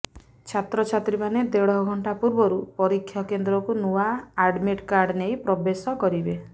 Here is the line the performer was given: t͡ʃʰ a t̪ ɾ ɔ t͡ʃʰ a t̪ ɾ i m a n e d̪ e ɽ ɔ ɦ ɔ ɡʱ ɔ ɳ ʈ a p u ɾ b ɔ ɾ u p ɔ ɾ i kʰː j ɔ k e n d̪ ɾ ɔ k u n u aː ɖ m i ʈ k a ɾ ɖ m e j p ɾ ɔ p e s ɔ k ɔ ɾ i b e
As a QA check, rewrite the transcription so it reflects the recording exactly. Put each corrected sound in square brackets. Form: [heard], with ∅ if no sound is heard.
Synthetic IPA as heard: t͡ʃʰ a t̪ ɾ ɔ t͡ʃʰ a t̪ ɾ i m a n e d̪ e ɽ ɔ ɦ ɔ ɡʱ ɔ ɳ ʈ a p u ɾ b ɔ ɾ u p ɔ ɾ i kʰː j ɔ k e n d̪ ɾ ɔ k u n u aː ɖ m i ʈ k a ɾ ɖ [n] e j p ɾ ɔ [b] e s ɔ k ɔ ɾ i b e